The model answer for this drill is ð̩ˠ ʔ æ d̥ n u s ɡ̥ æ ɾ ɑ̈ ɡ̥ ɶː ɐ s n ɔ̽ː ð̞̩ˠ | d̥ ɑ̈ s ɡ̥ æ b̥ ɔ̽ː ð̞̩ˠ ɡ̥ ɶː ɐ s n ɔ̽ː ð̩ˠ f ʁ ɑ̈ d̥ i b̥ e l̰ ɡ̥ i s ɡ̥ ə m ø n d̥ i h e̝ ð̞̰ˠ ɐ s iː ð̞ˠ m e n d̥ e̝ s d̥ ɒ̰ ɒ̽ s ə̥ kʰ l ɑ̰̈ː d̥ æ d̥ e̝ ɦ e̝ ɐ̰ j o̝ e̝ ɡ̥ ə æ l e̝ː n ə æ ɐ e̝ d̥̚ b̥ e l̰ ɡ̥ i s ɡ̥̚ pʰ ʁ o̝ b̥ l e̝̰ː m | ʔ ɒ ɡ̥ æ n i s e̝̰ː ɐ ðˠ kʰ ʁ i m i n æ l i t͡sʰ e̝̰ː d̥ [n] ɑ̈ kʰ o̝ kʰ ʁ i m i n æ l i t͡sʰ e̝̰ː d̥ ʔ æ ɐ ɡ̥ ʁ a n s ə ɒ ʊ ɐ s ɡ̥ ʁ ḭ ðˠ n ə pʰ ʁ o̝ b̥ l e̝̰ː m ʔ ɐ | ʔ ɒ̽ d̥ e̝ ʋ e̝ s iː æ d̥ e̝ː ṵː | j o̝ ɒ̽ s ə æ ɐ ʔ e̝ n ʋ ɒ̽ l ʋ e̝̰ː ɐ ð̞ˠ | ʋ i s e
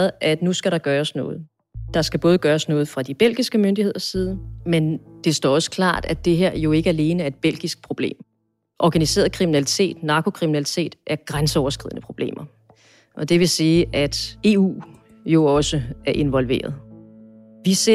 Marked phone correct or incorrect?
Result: correct